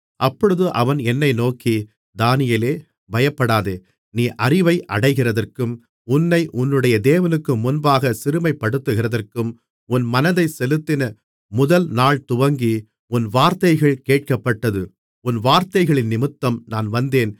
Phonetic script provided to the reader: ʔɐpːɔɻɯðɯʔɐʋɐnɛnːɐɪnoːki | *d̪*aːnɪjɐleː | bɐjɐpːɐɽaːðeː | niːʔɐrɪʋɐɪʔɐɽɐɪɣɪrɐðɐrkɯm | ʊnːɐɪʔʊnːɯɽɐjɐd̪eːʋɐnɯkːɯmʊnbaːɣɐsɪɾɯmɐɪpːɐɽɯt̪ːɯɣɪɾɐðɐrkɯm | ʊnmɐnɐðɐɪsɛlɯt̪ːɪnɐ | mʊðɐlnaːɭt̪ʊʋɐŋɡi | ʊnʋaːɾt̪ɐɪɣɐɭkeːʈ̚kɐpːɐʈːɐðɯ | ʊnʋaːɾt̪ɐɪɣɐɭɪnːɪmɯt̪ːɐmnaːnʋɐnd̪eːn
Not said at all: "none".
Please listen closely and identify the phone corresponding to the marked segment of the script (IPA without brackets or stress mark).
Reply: d̪